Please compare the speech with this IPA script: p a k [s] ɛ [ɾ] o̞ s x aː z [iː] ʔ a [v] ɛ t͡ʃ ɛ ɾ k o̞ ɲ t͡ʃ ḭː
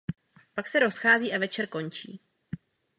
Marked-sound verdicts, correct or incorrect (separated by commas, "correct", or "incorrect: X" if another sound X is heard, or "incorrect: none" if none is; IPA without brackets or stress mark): correct, correct, correct, correct